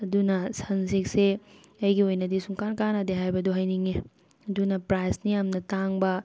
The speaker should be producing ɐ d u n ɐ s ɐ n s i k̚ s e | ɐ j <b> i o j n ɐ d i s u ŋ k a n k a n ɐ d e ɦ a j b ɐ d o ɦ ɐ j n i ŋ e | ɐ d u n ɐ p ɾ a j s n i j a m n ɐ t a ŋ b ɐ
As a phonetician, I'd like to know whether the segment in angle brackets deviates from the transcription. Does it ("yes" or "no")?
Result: yes